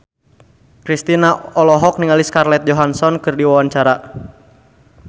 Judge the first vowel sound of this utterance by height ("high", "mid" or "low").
high